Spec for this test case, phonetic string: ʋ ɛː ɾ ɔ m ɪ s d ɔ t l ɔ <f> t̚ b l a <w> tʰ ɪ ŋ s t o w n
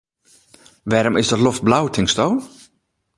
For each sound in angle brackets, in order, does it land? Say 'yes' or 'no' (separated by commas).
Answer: yes, yes